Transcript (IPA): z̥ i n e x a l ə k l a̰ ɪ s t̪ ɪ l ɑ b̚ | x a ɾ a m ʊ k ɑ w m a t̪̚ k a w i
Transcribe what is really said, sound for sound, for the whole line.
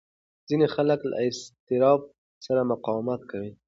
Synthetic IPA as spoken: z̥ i n e x a l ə k l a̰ ɪ s t̪ ɪ ɾ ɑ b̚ | s a ɾ a m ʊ q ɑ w m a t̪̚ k a w i